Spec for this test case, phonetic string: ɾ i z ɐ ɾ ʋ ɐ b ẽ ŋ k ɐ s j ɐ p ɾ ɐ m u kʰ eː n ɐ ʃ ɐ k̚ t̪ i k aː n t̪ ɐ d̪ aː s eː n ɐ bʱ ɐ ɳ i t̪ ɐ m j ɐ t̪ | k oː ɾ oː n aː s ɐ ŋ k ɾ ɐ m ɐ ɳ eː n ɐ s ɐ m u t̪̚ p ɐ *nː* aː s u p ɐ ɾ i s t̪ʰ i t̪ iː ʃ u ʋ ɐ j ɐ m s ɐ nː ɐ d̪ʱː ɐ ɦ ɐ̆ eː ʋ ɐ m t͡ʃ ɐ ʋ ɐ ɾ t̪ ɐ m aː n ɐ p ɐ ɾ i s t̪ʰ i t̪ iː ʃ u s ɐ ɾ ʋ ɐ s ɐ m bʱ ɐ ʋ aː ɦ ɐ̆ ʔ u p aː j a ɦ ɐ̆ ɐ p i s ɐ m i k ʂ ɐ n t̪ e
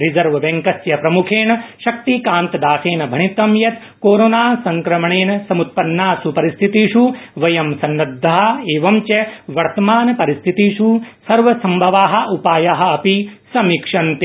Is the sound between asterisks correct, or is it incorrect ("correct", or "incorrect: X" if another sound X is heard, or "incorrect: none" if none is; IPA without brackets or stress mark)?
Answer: correct